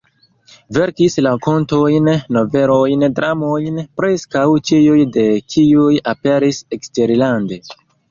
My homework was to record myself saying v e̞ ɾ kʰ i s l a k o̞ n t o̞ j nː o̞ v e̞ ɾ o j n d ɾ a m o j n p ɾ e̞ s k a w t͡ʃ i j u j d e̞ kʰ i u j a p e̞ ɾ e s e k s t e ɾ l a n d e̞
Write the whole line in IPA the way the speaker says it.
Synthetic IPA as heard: v e̞ ɾ k i s l a k o̞ n t o̞ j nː o̞ v e̞ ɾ o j n d ɾ a m o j n p ɾ e̞ s k a w t͡ʃ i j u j d e̞ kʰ i u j a p e̞ ɾ i s e k s t e ɾ l a n d e̞